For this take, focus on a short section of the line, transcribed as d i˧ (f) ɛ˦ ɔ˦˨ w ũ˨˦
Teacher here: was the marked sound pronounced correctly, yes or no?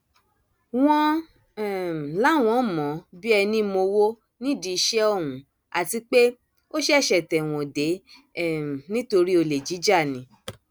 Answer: no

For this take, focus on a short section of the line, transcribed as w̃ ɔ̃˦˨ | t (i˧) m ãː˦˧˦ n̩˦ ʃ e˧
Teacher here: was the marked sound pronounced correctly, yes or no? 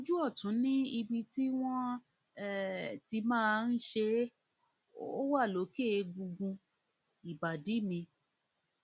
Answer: yes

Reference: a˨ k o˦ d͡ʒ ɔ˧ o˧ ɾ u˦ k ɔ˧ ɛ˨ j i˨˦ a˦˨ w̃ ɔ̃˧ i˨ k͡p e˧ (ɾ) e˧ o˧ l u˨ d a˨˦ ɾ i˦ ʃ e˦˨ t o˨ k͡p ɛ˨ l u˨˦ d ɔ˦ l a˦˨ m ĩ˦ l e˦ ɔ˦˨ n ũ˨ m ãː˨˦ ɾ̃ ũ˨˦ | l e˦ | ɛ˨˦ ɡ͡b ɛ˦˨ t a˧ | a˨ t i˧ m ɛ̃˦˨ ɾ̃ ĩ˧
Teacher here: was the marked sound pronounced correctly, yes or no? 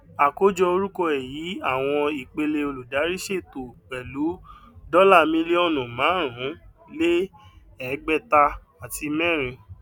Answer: no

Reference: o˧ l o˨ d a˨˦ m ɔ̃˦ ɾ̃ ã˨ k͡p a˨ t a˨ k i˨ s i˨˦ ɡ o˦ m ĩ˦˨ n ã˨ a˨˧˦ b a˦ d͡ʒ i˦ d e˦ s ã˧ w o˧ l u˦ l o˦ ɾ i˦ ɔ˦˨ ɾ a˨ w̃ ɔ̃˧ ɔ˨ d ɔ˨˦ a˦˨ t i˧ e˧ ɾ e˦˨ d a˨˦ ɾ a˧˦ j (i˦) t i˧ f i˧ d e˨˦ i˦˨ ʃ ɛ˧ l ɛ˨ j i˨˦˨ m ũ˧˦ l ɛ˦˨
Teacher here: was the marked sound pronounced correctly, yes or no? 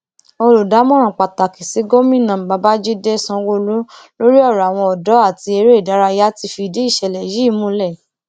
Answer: no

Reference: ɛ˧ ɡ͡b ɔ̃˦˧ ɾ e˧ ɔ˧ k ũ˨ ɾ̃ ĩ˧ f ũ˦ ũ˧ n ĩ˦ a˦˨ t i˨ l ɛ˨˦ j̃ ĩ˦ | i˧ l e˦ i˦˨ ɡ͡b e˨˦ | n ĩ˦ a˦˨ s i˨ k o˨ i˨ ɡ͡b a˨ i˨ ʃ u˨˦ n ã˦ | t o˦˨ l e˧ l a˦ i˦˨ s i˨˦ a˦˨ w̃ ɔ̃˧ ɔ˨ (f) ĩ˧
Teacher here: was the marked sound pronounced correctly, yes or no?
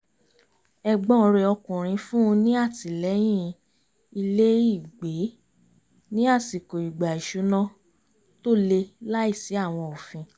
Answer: yes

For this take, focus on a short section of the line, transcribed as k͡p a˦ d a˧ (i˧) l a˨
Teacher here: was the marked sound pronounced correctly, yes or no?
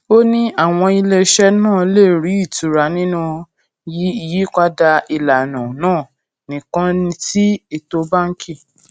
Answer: yes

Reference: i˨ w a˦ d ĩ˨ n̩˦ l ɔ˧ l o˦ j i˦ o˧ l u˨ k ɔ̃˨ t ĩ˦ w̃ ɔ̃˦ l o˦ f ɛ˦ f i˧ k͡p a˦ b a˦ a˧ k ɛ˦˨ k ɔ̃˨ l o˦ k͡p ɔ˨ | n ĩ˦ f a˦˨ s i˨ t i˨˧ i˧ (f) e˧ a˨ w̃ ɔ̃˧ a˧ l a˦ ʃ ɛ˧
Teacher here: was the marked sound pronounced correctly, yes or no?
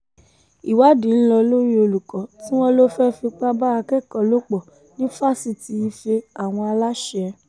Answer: yes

